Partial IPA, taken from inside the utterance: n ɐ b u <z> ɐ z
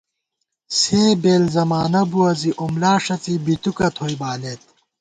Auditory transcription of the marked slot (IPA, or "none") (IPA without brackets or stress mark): none